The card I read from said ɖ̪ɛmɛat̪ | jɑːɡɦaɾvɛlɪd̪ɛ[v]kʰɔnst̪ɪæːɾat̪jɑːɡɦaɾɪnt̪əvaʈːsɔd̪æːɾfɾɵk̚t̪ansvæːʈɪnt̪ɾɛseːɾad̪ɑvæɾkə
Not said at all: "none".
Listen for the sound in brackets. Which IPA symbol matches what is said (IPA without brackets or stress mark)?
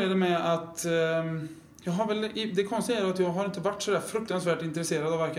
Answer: none